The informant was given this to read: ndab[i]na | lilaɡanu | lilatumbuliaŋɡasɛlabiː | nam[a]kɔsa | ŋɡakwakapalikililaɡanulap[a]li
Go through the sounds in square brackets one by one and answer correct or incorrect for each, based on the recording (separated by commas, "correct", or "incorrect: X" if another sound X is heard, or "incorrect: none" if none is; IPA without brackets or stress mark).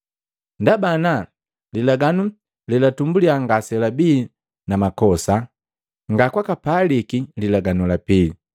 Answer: incorrect: a, correct, incorrect: i